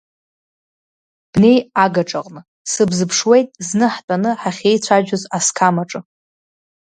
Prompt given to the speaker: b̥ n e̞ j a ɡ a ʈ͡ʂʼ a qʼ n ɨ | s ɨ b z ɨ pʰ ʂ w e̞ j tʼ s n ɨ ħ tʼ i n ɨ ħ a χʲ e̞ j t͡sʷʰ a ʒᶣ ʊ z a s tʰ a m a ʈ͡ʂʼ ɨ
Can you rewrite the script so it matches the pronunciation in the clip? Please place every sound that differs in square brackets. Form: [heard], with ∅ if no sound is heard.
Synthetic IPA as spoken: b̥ n e̞ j a ɡ a ʈ͡ʂʼ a qʼ n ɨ | s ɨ b z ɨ pʰ ʂ w e̞ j tʼ [z] n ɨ ħ tʼ [a] n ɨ ħ a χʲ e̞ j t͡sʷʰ a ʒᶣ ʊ z a s [kʰ] a m a ʈ͡ʂʼ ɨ